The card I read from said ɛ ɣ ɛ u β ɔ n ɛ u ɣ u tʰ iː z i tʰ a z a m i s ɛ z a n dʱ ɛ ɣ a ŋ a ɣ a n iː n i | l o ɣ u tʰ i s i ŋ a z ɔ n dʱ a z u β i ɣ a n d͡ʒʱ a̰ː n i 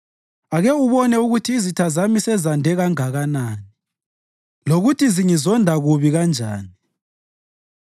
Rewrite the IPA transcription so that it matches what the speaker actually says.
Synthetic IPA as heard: a ɣ ɛ u β ɔ n ɛ u ɣ u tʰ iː z i tʰ a z a m i s ɛ z a n dʱ ɛ ɣ a ŋ a ɣ a n aː n i | l o ɣ u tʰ i z i ŋ i z ɔ n dʱ a ɣ u β i ɣ a n d͡ʒʱ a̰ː n i